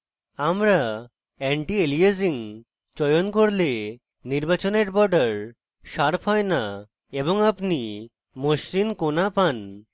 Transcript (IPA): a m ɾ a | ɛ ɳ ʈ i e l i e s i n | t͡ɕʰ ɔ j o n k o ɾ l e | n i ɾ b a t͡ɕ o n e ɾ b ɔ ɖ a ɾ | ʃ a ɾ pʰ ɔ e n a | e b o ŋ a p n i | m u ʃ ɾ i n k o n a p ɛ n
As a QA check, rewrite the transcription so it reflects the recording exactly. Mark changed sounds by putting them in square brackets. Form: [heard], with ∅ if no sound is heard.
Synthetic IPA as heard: a m ɾ a | ɛ ɳ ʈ i e l i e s i [ŋ] | [t͡ɕ] ɔ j o n k o ɾ l e | n i ɾ b a t͡ɕ o n e ɾ b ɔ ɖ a ɾ | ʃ a ɾ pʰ ɔ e n a | e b o ŋ a p n i | m [o] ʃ ɾ i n k o n a p [a] n